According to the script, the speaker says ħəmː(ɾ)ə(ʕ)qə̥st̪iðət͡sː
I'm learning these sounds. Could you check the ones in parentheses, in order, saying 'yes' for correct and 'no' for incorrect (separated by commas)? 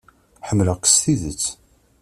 no, no